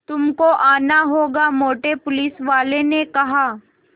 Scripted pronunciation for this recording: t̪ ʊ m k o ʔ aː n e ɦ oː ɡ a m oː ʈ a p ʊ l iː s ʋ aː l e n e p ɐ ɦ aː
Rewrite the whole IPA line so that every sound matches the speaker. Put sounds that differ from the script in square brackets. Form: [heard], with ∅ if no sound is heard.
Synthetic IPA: t̪ ʊ m k o ʔ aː n [a] ɦ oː ɡ a m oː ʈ [e] p ʊ l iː s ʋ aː l e n e [k] ɐ ɦ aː